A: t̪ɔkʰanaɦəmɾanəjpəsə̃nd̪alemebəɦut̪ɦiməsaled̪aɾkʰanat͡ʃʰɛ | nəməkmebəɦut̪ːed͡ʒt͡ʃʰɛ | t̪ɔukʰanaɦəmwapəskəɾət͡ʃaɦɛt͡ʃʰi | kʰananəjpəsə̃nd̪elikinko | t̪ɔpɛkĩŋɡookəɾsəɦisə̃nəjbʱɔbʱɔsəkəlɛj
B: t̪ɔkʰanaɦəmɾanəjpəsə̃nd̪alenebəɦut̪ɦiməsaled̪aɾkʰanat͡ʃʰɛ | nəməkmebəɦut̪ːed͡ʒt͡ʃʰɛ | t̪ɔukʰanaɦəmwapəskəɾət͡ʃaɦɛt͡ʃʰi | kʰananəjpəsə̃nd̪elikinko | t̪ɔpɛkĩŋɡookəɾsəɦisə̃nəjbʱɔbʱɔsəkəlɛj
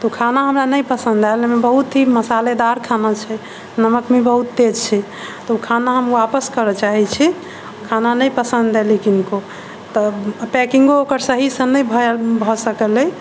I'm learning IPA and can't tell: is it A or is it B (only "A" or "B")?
A